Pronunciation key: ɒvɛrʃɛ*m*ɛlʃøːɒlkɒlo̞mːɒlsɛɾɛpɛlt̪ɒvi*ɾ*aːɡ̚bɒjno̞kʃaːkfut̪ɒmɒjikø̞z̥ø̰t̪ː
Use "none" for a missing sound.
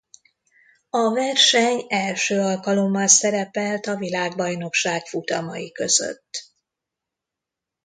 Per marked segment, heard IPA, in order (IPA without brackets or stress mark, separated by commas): ɲ, l